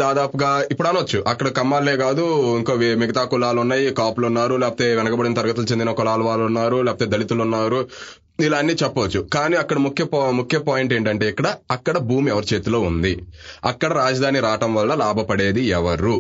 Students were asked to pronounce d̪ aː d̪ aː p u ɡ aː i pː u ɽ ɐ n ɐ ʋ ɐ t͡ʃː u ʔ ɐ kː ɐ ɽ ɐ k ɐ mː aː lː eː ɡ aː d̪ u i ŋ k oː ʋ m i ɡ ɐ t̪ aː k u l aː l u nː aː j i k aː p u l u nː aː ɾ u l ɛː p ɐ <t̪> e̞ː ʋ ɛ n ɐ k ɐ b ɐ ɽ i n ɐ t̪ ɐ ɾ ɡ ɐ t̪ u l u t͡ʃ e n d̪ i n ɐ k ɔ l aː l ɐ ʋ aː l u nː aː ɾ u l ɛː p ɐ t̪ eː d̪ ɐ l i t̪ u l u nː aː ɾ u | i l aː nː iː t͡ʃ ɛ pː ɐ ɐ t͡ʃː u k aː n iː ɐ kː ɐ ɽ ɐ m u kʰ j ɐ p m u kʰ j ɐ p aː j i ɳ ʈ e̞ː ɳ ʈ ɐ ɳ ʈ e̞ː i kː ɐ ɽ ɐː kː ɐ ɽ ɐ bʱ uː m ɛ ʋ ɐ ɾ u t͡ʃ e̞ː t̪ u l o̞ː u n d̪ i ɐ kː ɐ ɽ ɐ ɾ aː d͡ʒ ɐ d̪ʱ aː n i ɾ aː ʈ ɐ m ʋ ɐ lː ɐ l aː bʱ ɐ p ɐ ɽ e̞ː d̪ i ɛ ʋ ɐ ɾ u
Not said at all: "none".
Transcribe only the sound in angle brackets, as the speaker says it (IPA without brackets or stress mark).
t̪